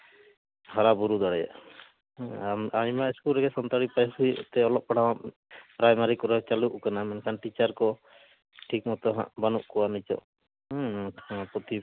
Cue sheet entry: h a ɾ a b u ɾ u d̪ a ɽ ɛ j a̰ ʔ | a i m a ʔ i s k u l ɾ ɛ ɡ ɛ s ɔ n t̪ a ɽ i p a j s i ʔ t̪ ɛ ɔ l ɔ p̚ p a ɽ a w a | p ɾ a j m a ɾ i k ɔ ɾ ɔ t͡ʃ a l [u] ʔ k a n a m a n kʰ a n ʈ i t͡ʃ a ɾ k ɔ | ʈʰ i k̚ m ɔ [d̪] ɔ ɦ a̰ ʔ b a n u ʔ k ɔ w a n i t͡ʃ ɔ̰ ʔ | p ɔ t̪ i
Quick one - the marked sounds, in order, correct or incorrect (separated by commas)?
correct, incorrect